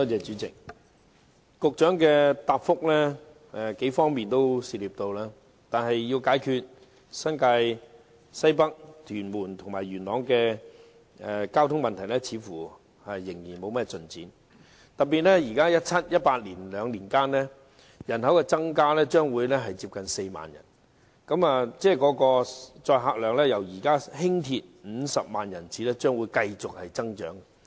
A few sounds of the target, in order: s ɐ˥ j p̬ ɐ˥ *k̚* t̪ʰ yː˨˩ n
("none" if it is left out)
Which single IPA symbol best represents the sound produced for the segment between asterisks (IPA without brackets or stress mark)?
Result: k̚